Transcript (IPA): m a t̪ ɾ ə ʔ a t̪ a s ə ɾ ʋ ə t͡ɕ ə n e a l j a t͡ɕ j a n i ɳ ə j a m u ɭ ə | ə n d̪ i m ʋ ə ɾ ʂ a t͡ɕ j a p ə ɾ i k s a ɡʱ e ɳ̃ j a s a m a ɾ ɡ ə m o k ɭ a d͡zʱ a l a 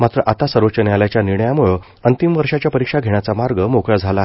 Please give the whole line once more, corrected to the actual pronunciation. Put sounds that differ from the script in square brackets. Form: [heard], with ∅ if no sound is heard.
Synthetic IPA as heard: m a t̪ ɾ ə ʔ a t̪ a s ə ɾ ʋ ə t͡ɕ ə n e a l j a t͡ɕ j a n i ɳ ə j a m u ɭ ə | ə n [t̪] i m ʋ ə ɾ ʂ a t͡ɕ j a p ə ɾ i k [ʂ] a ɡʱ e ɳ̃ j a [t͡s] a m a ɾ ɡ ə m o k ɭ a d͡zʱ a l a